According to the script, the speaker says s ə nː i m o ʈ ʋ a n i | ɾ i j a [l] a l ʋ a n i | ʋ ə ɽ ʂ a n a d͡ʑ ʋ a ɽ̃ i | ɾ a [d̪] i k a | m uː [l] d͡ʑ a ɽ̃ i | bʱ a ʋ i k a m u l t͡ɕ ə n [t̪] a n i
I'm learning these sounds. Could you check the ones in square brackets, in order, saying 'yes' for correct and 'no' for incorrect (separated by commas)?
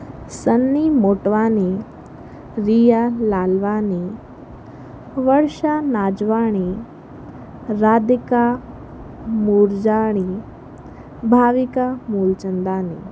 yes, yes, no, no